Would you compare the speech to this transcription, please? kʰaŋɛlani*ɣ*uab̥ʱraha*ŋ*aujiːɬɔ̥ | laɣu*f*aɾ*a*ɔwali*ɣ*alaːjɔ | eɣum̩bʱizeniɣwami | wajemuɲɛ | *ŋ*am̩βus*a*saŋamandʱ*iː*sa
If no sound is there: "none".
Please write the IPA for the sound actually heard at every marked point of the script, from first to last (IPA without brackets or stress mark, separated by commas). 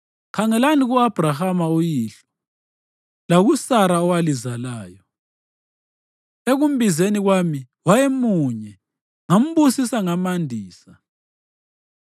ɣ, m, s, a, z, ŋ, i, iː